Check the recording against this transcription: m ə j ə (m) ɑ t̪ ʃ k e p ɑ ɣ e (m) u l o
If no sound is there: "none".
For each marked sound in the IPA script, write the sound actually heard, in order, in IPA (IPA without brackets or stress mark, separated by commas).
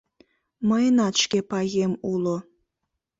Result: n, m